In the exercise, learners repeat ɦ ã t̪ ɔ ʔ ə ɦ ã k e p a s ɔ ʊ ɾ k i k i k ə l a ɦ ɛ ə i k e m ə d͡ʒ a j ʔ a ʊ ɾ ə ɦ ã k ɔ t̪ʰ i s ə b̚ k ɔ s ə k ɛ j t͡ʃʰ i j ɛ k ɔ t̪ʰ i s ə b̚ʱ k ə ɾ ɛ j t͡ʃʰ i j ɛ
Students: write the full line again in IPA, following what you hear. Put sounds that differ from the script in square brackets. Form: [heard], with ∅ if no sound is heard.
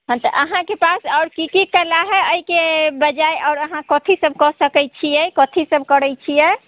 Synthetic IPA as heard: ɦ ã t̪ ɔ ʔ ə ɦ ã k e p a s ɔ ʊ ɾ k i k i k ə l a ɦ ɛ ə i k e [b] ə d͡ʒ a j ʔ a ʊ ɾ ə ɦ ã k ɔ t̪ʰ i s ə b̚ k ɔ s ə k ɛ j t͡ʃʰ i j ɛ k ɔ t̪ʰ i s ə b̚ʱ k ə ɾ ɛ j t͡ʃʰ i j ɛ